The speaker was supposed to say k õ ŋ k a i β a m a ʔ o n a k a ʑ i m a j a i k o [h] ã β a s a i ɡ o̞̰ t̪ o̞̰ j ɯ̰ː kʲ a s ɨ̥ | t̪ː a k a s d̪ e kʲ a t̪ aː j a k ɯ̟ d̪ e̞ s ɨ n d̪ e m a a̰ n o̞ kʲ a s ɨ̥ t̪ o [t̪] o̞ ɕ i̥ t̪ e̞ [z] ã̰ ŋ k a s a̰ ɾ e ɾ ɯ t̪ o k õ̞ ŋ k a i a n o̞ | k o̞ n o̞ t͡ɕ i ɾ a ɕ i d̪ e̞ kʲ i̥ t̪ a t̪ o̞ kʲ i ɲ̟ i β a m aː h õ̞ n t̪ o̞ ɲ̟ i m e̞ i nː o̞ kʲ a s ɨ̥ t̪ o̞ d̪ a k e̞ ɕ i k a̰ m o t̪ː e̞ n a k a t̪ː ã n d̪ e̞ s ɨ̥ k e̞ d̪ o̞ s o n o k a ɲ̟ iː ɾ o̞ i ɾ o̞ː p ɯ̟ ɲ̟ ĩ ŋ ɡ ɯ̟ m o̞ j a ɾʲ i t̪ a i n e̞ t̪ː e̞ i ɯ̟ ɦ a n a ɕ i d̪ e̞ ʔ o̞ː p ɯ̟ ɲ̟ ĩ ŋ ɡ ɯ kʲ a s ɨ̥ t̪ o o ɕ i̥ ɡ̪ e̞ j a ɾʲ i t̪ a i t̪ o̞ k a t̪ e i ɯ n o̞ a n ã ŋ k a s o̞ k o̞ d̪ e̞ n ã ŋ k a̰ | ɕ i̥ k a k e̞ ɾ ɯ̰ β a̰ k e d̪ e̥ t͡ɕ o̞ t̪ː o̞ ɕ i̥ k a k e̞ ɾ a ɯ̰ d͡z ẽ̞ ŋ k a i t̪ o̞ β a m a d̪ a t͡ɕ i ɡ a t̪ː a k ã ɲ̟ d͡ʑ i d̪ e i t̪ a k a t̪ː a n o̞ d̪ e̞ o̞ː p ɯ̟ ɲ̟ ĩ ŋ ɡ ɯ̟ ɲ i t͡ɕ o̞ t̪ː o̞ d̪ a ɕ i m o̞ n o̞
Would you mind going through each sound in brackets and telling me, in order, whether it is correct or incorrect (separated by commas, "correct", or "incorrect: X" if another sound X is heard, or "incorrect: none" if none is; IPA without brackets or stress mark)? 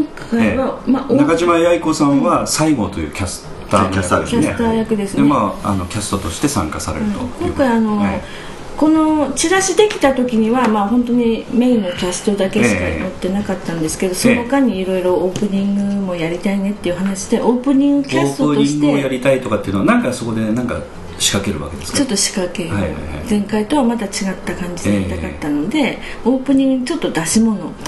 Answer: incorrect: s, correct, incorrect: s